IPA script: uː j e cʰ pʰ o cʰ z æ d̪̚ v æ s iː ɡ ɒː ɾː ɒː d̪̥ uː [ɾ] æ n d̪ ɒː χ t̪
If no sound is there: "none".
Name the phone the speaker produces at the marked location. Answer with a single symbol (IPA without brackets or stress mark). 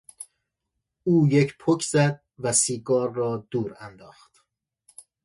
ɾ